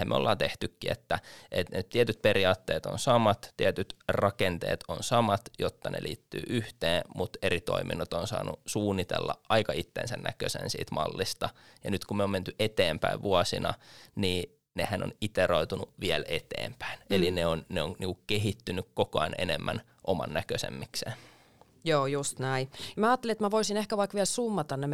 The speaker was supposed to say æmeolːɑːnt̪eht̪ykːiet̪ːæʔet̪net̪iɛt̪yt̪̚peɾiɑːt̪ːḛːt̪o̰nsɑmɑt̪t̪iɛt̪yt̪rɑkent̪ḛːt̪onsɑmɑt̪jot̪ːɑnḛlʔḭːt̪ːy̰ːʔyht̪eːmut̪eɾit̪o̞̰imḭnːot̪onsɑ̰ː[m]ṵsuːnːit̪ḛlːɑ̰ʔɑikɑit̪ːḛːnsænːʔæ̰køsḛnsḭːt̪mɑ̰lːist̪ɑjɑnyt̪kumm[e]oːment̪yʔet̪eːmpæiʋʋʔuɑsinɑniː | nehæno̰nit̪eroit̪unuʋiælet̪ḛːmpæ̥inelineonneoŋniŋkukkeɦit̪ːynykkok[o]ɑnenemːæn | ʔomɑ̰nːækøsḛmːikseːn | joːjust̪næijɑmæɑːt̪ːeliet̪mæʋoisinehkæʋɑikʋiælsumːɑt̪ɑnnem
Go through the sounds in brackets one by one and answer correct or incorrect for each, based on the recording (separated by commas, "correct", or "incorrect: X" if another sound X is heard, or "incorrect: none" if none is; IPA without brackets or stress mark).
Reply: incorrect: n, correct, correct